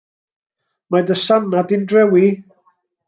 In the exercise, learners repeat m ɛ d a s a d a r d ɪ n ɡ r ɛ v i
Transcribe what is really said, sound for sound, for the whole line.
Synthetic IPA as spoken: m a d ə s a n a d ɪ n d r ɛ w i

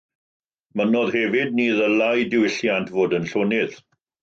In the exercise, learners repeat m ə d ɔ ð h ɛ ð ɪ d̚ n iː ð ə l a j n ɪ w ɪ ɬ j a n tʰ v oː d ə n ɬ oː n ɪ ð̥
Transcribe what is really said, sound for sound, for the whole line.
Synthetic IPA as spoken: m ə n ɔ ð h ɛ v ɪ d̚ n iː ð ə l a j d ɪ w ɪ ɬ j a n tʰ v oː d ə n ɬ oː n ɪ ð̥

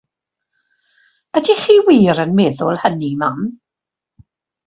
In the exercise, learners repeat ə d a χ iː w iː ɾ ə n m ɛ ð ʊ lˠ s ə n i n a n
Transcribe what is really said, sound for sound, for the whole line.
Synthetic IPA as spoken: ə d i χ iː w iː ɾ ə n m ɛ ð ʊ lˠ h ə n i m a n

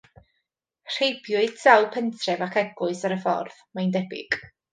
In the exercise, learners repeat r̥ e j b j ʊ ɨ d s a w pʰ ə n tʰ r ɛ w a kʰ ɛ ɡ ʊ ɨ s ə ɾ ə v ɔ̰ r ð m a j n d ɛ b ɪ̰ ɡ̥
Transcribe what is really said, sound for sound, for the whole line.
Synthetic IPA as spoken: r̥ e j b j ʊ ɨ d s a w pʰ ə n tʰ r ɛ v a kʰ ɛ ɡ ʊ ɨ s a ɾ ə f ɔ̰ r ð m a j n d ɛ b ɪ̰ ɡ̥

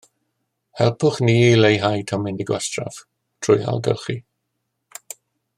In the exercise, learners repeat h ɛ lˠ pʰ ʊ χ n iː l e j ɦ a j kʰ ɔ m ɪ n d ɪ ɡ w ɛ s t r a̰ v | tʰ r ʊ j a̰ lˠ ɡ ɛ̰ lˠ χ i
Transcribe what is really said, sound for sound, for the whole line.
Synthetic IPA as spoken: h ɛ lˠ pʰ ʊ χ n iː l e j ɦ a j tʰ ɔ m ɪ n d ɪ ɡ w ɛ s t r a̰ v | tʰ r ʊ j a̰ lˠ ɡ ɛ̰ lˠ χ i

